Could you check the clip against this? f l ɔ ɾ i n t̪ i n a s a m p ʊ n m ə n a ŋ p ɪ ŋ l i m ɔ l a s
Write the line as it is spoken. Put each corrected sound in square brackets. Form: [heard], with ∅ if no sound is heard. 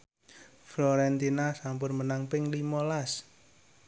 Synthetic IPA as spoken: f l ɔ ɾ [ɛ] n t̪ i n a s a m p ʊ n m ə n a ŋ p ɪ ŋ l i m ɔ l a s